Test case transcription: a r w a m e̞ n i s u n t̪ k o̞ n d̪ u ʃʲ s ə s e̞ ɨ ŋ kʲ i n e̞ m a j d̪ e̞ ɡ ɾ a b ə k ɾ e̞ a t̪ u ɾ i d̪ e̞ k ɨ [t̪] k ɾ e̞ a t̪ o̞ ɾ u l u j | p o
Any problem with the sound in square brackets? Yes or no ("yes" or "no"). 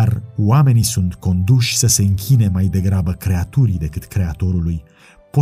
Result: no